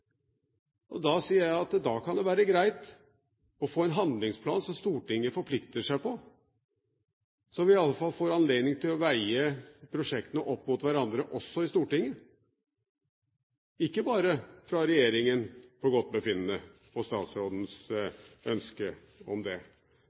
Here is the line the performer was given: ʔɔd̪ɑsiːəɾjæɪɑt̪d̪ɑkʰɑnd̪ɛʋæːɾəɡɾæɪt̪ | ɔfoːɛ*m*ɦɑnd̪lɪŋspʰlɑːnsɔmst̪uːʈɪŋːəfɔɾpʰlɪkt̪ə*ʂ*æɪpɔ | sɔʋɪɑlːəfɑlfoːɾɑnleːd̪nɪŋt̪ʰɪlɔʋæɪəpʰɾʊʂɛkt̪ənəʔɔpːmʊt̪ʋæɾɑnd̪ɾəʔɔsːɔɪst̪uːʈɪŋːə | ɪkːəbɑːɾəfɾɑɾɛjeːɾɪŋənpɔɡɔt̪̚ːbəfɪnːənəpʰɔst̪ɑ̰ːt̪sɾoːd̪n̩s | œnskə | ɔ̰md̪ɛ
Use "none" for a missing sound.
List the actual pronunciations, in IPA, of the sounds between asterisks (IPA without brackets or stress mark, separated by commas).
n, ʂ